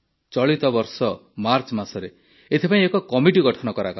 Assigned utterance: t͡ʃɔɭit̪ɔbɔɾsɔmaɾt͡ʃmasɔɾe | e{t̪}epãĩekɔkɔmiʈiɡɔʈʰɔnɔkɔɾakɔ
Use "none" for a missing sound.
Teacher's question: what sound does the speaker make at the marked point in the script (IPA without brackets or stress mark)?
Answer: t̪ʰ